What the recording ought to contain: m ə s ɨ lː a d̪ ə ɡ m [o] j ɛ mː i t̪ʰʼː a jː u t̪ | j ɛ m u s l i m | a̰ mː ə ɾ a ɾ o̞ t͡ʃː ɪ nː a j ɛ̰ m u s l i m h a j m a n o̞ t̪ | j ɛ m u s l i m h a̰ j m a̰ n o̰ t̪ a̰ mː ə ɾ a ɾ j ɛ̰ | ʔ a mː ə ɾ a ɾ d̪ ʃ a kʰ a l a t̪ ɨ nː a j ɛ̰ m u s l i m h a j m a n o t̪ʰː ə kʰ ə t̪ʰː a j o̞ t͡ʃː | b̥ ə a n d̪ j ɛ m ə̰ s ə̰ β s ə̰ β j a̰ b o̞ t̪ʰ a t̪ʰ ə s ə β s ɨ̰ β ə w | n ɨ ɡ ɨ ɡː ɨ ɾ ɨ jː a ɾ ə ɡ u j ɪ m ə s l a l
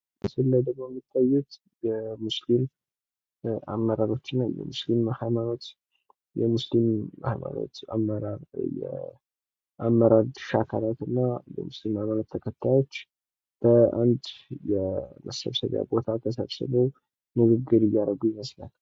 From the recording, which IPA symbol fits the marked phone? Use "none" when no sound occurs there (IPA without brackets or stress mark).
o